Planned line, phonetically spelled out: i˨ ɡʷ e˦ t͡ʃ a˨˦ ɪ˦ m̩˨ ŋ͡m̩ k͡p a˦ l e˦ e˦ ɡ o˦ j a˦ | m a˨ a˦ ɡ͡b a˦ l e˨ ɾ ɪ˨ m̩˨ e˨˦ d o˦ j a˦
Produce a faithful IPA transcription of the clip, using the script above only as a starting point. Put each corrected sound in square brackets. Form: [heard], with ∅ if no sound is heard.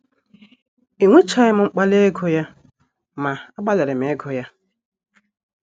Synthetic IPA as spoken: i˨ [ŋʷ] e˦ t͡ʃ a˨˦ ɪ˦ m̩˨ ŋ͡m̩ k͡p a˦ l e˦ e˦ ɡ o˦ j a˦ | m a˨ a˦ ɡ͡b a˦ l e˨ ɾ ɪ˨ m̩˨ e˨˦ [ɡ] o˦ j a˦